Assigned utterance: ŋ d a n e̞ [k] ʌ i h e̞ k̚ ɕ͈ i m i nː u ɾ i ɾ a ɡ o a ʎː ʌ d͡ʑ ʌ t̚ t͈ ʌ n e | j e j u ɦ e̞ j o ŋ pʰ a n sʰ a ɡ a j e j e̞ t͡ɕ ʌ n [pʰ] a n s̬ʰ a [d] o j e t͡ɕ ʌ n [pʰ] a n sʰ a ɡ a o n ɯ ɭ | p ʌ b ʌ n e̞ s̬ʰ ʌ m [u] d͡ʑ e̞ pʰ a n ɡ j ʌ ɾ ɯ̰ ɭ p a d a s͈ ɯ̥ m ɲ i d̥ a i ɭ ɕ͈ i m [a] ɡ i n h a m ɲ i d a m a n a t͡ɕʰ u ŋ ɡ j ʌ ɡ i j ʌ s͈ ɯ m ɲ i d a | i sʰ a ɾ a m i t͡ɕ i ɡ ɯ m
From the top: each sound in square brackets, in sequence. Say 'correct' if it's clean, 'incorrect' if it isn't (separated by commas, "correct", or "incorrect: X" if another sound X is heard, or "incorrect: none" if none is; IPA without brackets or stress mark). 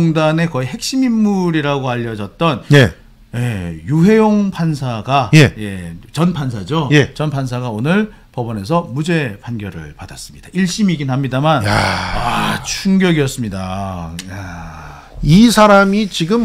correct, correct, incorrect: d͡ʑ, correct, correct, incorrect: i